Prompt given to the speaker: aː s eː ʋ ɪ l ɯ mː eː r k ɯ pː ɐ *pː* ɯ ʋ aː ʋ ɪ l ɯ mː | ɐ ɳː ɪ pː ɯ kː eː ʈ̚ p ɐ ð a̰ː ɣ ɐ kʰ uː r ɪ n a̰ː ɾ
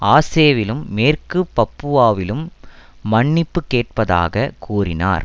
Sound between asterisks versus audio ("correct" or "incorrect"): correct